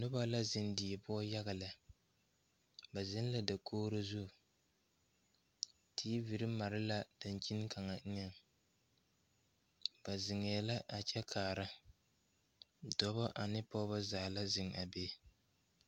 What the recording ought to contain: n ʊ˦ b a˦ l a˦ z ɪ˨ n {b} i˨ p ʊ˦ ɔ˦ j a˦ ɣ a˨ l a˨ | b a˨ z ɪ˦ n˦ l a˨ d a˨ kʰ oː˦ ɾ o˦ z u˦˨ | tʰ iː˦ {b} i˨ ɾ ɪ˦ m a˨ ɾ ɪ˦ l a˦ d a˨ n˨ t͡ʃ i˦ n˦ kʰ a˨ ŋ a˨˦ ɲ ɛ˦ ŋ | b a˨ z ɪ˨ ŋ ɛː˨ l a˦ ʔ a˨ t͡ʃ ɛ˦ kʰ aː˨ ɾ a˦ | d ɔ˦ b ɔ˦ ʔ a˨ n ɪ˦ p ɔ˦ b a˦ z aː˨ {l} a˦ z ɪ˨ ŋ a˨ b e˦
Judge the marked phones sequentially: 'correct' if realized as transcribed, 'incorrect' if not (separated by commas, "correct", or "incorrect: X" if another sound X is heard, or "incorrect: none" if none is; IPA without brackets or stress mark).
incorrect: d, incorrect: v, correct